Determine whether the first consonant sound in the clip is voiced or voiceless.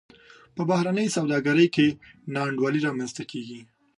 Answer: voiceless